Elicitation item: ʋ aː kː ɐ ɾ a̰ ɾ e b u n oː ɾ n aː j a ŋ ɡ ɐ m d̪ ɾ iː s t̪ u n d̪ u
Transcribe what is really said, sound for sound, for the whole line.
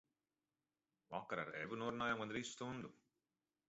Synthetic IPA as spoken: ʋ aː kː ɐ ɾ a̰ ɾ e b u n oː ɾ n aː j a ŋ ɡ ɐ n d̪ ɾ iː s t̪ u n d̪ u